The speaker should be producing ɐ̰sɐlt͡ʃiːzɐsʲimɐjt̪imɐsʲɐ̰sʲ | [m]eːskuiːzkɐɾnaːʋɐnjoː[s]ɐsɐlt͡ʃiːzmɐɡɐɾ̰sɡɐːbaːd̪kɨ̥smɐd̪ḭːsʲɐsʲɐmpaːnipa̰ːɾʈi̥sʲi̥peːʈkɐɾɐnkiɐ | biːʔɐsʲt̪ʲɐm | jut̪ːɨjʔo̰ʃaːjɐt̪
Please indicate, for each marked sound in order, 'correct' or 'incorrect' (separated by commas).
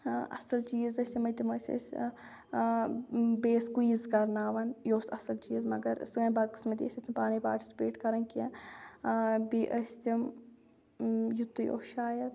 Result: incorrect, correct